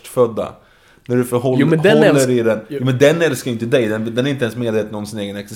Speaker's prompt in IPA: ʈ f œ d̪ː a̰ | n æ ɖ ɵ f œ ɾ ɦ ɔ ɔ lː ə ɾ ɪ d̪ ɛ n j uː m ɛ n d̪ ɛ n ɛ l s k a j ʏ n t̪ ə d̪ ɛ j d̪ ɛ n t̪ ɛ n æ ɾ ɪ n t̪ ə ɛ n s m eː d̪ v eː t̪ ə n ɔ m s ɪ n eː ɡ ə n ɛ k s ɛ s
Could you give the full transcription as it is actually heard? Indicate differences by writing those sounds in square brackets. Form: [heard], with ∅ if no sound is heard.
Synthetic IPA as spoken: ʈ f œ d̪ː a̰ | n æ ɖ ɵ f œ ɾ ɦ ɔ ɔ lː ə ɾ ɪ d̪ ɛ n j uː m ɛ n d̪ ɛ n ɛ l s k a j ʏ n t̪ ə d̪ ɛ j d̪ ɛ n [d̪] ɛ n æ ɾ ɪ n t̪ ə ɛ n s m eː d̪ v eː t̪ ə n ɔ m s ɪ n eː ɡ ə n ɛ k s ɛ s